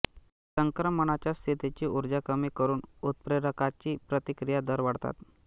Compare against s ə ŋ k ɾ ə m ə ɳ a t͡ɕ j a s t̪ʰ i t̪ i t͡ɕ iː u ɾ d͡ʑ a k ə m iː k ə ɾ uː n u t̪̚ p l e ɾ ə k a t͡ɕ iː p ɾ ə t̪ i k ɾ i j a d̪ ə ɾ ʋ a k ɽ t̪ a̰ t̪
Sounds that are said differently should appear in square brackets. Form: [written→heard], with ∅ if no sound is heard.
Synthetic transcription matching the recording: s ə ŋ k ɾ ə m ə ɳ a t͡ɕ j a s t̪ʰ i t̪ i t͡ɕ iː u ɾ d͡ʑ a k ə m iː k ə ɾ uː n u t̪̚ p [l→ɾ] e ɾ ə k a t͡ɕ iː p ɾ ə t̪ i k ɾ i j a d̪ ə ɾ ʋ a [k→∅] ɽ t̪ a̰ t̪